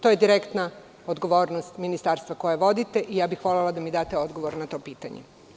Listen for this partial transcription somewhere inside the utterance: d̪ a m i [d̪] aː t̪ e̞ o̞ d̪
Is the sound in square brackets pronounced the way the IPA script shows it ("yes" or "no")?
yes